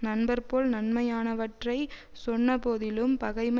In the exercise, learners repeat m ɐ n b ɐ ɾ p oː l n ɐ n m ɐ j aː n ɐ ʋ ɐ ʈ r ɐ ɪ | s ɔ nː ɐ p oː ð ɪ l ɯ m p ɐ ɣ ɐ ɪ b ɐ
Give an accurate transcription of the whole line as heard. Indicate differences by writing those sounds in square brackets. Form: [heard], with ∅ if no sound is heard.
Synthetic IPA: [n] ɐ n b ɐ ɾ p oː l n ɐ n m ɐ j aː n ɐ ʋ ɐ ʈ r ɐ ɪ | s ɔ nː ɐ p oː ð ɪ l ɯ m p ɐ ɣ ɐ ɪ [m] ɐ